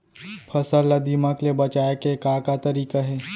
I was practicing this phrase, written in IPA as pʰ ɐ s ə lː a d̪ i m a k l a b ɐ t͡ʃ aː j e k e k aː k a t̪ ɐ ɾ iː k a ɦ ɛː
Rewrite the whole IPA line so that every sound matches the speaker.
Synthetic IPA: pʰ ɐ s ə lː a d̪ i m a k l e b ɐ t͡ʃ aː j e k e k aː k a t̪ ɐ ɾ iː k a ɦ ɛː